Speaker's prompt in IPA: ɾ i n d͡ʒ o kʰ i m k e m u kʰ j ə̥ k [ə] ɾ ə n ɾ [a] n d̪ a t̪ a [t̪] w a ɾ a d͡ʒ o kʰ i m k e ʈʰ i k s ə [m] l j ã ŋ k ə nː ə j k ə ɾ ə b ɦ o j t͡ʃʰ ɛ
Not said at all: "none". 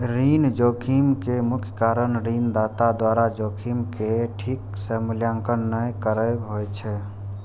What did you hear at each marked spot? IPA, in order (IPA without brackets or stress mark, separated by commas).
a, i, d̪, m